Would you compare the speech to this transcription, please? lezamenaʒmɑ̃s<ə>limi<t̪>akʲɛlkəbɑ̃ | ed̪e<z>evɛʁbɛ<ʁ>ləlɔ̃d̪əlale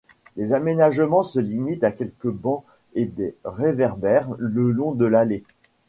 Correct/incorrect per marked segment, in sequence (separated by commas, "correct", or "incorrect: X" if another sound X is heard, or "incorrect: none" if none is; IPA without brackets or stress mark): correct, correct, incorrect: ʁ, correct